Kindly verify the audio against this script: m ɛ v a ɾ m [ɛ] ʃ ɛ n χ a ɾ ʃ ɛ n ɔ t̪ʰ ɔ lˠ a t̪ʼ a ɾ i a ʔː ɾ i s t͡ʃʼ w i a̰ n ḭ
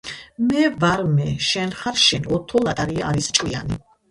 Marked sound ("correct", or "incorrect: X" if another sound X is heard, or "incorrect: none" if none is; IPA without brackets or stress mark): correct